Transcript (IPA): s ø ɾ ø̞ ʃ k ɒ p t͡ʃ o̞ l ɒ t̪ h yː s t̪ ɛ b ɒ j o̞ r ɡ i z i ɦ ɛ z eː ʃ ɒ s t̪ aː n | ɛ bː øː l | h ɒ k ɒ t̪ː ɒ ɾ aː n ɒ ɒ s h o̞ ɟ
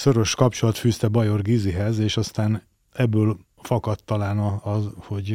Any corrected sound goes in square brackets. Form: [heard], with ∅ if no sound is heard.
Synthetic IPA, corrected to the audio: s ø ɾ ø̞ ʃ k ɒ p t͡ʃ o̞ l ɒ t̪ [f] yː s t̪ ɛ b ɒ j o̞ r ɡ i z i ɦ ɛ z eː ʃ ɒ s t̪ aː n | ɛ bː øː l | [f] ɒ k ɒ t̪ː ɒ [l] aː n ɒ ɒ [z] h o̞ ɟ